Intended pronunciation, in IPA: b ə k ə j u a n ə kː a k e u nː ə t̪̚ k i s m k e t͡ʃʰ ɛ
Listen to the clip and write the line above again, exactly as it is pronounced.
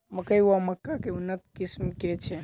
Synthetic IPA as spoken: m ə k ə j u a m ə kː a k e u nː ə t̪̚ k i s m k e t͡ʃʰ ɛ